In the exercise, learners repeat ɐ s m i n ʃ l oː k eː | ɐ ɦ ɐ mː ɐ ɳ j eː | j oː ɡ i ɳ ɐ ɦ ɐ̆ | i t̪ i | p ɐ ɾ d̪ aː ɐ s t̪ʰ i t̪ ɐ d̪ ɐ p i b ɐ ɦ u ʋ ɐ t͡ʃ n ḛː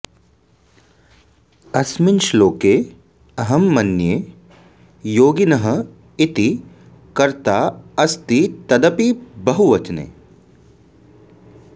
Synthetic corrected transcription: ɐ s m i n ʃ l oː k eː | ɐ ɦ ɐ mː ɐ n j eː | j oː ɡ i n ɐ ɦ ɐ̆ | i t̪ i | k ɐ ɾ t̪ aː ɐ s t̪ i t̪ ɐ d̪ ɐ p i b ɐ ɦ u ʋ ɐ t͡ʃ n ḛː